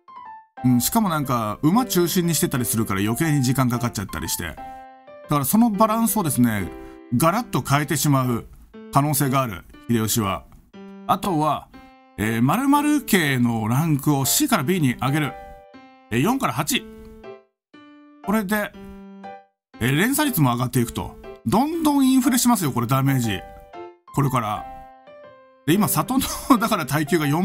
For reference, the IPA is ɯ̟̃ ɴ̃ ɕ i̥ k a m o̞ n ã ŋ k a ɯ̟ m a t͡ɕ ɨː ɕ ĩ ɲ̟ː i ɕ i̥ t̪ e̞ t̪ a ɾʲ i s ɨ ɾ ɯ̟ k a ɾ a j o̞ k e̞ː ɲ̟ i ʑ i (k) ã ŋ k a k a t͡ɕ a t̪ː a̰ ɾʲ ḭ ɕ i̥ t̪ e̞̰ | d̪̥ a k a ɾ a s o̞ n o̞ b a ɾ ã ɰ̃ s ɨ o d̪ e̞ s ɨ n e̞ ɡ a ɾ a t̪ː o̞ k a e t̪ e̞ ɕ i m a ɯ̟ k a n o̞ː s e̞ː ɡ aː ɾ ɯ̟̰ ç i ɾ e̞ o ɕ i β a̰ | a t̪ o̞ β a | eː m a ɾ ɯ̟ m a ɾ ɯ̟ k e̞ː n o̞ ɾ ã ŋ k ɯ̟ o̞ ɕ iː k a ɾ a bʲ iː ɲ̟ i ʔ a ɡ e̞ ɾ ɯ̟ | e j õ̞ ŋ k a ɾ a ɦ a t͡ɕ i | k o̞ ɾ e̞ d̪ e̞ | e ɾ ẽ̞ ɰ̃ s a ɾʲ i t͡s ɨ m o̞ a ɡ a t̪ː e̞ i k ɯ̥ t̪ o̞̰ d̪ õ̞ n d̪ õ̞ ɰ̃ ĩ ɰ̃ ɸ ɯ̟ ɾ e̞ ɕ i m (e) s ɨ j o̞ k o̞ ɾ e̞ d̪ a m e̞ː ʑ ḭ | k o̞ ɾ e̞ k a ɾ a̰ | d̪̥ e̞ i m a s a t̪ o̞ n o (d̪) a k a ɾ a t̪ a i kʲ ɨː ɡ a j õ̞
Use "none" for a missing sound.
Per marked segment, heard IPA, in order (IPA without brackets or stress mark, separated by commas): k, a, d̪